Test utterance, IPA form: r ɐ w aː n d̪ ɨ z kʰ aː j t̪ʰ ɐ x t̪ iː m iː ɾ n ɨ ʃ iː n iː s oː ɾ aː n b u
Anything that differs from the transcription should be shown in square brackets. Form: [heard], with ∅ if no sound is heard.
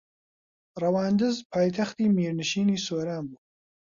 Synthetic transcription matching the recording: r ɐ w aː n d̪ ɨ z [pʰ] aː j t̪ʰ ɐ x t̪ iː m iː ɾ n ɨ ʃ iː n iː s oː ɾ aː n b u